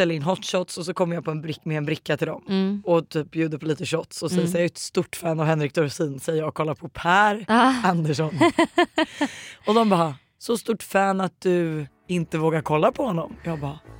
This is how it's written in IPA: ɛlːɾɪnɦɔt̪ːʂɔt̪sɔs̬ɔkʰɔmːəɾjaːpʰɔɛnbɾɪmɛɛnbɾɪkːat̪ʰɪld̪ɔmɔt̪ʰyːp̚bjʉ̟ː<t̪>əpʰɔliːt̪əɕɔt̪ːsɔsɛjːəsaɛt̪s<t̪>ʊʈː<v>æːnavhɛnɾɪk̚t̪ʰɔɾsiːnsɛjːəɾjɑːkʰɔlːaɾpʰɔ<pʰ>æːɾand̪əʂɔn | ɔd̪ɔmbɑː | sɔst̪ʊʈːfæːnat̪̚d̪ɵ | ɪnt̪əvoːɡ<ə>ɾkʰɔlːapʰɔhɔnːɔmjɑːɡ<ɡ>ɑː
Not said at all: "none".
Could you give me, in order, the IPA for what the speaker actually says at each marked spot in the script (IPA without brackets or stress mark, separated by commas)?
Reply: d̪, t̪, f, pʰ, a, b